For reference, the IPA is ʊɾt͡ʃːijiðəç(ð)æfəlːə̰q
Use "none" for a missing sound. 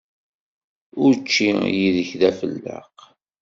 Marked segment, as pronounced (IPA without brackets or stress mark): ð